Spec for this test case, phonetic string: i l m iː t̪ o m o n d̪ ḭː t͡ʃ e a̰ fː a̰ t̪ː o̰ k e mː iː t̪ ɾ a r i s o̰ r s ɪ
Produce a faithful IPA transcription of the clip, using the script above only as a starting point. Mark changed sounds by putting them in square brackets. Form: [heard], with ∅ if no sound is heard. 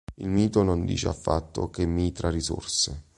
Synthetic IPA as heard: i l m iː t̪ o [n] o n d̪ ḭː t͡ʃ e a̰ fː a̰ t̪ː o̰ k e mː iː t̪ ɾ a r i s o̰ r s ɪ

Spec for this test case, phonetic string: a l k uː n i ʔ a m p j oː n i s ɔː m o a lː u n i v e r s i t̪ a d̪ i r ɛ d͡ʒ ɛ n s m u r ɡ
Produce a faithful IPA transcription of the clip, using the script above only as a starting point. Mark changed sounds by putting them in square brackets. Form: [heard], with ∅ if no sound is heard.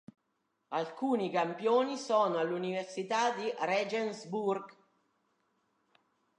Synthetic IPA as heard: a l k uː n i [k] a m p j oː n i s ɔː [n] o a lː u n i v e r s i t̪ a d̪ i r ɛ d͡ʒ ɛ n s [b] u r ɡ

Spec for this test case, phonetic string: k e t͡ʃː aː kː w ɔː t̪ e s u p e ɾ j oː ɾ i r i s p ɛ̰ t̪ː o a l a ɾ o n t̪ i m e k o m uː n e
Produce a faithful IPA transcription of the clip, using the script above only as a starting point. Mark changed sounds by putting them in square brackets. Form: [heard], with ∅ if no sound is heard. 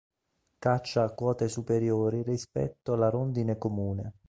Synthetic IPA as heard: k [a] t͡ʃː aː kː w ɔː t̪ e s u p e ɾ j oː ɾ i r i s p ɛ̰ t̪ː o a l a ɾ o n [d̪] i [n] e k o m uː n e

